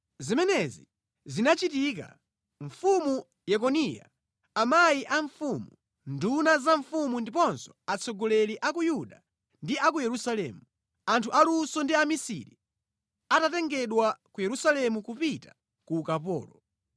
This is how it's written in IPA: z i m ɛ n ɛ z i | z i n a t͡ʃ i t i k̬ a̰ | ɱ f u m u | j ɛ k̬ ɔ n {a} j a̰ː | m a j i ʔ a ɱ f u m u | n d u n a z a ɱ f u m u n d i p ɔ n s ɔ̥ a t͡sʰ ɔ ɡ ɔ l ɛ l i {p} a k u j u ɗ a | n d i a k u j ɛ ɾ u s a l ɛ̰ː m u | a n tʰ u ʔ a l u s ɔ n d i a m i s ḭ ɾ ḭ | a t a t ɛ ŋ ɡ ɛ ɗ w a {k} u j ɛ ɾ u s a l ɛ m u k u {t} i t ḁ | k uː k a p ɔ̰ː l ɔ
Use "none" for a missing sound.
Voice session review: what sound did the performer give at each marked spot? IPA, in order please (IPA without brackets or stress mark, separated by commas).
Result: i, ʔ, k, p